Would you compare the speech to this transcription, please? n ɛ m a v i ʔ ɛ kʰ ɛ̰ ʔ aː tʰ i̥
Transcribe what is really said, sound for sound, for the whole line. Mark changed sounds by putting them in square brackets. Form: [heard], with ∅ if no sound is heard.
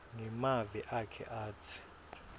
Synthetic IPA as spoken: [ŋ] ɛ m a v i ʔ [a] kʰ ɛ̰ ʔ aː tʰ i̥

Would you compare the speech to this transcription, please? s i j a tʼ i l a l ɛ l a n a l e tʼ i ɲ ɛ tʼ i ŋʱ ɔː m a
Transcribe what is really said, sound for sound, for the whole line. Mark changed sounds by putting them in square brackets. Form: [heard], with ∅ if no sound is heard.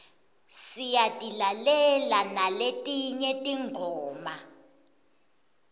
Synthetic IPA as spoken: s i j a tʼ i l a l ɛ l a n a l e tʼ i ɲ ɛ tʼ i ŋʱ ɔː m a

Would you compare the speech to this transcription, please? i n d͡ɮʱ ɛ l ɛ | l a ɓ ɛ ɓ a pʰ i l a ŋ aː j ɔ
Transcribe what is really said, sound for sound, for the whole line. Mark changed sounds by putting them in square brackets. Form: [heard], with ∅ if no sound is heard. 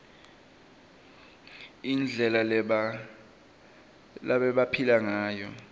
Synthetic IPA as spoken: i n d͡ɮʱ ɛ l [a] | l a ɓ ɛ ɓ a pʰ i l a ŋ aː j ɔ

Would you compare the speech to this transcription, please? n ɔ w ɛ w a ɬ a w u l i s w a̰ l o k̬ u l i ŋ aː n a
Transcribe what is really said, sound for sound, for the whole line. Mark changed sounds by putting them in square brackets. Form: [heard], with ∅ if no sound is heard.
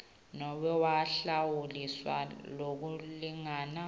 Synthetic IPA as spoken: n ɔ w ɛ w a ɬ a w u l i s w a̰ l o k̬ u l i ŋ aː n a

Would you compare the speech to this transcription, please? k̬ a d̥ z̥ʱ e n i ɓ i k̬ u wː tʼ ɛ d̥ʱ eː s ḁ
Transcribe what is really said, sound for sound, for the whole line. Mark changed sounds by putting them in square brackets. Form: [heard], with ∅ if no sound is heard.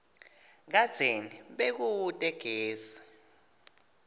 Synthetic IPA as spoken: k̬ a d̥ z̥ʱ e n i ɓ [e] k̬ u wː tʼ ɛ [ɡ̥ʱ] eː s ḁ

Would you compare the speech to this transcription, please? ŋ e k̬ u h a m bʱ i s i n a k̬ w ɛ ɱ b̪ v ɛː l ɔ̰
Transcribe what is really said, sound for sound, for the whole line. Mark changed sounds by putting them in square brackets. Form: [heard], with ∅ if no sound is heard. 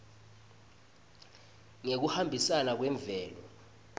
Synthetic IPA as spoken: ŋ e k̬ u h a m bʱ i s [a] n a k̬ w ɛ ɱ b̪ v ɛː l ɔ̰

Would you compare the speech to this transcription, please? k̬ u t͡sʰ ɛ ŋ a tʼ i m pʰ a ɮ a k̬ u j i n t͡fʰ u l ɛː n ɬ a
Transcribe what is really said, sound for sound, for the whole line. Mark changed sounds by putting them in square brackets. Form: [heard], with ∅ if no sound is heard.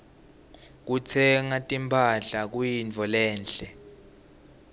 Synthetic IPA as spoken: k̬ u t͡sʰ ɛ ŋ a tʼ i m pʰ a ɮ a k̬ u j i n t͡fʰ [ɔ] l ɛː n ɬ [ɛ]

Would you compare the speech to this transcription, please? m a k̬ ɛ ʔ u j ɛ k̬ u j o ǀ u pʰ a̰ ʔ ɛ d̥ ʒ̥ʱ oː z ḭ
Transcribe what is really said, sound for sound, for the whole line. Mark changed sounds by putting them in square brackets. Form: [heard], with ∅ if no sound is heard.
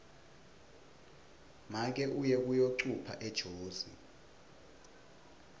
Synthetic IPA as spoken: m a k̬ ɛ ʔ u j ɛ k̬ u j o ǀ u pʰ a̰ ʔ ɛ d̥ ʒ̥ʱ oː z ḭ

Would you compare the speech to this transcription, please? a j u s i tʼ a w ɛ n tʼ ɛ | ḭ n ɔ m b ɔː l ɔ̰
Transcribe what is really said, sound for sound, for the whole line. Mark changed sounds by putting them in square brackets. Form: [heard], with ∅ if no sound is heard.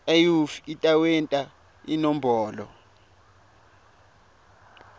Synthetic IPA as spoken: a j u [f] i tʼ a w ɛ n tʼ [a] | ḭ n ɔ m b ɔː l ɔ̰

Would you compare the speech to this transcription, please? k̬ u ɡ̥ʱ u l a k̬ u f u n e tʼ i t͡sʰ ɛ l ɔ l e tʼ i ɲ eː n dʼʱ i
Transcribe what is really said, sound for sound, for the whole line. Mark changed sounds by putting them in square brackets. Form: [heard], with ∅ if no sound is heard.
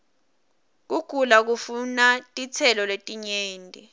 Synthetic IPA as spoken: k̬ u ɡ̥ʱ u l a k̬ u f u n [a] tʼ i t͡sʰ ɛ l ɔ l e tʼ i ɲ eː n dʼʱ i

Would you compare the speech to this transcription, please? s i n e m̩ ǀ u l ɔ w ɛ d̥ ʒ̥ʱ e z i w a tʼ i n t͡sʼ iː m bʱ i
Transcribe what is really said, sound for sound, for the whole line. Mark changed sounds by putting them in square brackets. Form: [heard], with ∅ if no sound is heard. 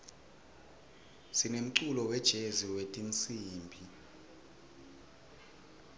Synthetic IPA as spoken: s i n e m̩ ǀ u l ɔ w ɛ d̥ ʒ̥ʱ e z i w [e] tʼ i n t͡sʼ iː m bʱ i

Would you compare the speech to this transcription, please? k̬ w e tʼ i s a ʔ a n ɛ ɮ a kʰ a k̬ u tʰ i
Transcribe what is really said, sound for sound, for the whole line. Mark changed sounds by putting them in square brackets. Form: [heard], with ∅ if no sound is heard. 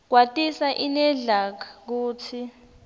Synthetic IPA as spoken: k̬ w [a] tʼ i s a ʔ [i] n ɛ ɮ a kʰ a k̬ [uː] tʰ i

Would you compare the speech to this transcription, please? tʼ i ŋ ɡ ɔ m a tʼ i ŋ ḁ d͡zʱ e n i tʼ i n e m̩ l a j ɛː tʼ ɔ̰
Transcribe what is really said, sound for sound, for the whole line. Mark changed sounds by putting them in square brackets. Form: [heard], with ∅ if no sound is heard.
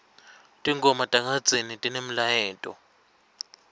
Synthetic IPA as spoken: tʼ i ŋ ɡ ɔ m a tʼ [a] ŋ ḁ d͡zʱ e n i tʼ i n e m̩ l a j ɛː tʼ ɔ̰

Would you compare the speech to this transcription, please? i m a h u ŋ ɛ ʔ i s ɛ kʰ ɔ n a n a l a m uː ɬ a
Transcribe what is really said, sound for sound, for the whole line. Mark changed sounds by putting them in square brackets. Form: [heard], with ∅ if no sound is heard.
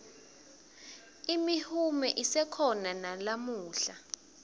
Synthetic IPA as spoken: i m [i] h u [m] ɛ ʔ i s ɛ kʰ ɔ n a n a l a m uː ɬ a

